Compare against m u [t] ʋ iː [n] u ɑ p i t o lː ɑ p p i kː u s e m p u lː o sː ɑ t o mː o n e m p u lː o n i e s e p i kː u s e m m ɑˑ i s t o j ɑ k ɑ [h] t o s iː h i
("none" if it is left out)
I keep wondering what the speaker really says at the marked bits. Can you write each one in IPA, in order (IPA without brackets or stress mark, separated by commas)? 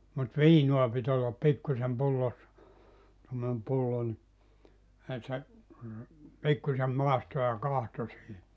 t, n, h